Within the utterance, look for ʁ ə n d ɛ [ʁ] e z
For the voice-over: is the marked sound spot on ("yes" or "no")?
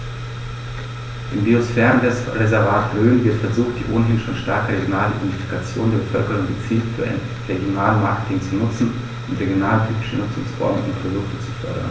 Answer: yes